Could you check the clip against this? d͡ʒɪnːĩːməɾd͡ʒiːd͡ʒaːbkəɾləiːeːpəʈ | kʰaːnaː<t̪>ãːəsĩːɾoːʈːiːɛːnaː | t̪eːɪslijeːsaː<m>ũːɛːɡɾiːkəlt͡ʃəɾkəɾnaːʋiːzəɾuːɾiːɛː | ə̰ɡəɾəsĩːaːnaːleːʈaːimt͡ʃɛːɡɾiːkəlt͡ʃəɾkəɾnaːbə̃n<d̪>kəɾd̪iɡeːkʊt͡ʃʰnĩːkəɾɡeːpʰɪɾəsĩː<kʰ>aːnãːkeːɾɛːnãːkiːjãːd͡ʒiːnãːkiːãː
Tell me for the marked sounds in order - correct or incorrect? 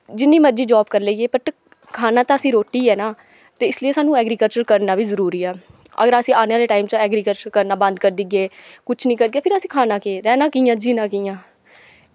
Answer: correct, incorrect, correct, correct

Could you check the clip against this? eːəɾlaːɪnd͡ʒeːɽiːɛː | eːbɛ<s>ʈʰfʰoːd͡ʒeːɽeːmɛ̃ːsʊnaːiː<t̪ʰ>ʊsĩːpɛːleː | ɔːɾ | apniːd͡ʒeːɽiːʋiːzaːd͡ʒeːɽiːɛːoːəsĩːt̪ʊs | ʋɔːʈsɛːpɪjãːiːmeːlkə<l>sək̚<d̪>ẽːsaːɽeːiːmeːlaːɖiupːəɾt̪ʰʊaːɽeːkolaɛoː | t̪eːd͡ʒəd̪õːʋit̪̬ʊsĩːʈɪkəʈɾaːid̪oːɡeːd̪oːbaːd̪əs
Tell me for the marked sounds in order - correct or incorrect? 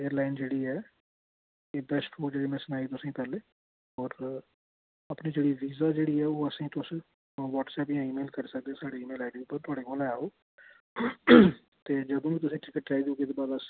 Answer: correct, incorrect, incorrect, correct

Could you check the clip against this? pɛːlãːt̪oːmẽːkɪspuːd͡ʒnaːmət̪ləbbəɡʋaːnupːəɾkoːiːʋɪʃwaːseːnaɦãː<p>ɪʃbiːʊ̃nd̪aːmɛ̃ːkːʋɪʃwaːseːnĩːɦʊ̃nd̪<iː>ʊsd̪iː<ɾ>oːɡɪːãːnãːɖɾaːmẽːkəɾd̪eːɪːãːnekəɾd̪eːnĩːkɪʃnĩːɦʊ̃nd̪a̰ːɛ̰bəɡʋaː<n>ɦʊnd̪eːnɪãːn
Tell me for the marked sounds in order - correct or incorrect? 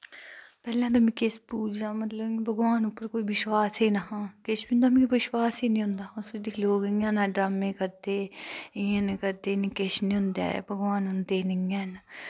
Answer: incorrect, incorrect, incorrect, correct

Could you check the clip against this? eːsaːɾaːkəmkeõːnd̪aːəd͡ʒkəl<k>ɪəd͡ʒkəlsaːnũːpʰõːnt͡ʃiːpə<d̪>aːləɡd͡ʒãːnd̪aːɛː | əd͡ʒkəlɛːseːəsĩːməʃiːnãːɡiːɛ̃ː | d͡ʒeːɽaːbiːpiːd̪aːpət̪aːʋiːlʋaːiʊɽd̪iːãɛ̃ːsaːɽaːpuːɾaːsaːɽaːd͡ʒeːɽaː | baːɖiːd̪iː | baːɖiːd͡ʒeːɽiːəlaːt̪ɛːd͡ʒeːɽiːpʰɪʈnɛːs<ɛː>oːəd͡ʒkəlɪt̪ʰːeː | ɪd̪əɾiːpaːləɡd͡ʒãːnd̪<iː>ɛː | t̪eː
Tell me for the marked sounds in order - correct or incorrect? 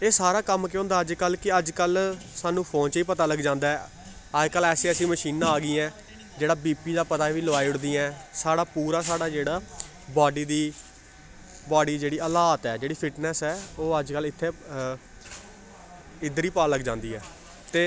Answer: correct, incorrect, correct, correct

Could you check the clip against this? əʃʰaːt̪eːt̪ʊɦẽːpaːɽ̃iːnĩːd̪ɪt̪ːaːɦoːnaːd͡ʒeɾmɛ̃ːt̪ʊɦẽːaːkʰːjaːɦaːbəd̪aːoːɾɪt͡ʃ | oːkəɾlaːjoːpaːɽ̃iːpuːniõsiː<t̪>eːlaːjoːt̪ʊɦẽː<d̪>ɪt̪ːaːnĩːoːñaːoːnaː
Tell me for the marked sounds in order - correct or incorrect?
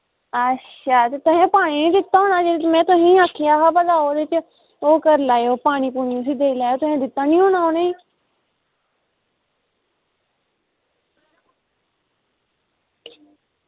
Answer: incorrect, correct

